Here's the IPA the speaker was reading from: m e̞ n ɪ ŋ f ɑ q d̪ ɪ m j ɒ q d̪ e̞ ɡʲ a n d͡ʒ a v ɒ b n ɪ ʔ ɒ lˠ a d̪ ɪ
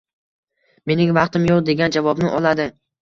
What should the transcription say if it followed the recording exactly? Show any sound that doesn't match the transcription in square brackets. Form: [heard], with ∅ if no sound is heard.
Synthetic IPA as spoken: m e̞ n ɪ ŋ [v] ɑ q [t̪] ɪ m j [o] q d̪ e̞ ɡʲ a n d͡ʒ a v ɒ b n ɪ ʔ ɒ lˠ a d̪ ɪ